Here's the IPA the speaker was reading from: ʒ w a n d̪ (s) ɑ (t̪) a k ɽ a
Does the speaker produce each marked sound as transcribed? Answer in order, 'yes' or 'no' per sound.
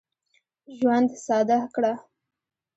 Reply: yes, no

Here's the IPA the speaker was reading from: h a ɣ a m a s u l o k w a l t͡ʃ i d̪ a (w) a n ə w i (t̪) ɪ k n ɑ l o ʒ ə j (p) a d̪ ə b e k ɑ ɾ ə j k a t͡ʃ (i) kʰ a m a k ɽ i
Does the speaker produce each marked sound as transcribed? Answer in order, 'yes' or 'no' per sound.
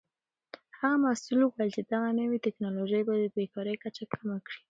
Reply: no, yes, no, no

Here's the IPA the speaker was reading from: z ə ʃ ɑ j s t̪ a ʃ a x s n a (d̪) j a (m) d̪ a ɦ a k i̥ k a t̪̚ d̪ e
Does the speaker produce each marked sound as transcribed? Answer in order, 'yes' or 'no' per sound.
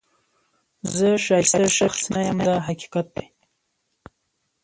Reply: no, yes

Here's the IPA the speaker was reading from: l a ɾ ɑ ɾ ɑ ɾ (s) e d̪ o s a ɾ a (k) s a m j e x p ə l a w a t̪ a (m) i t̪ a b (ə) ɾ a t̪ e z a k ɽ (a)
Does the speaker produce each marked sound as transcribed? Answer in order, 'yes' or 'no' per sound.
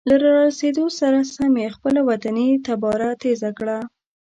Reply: yes, no, no, no, yes

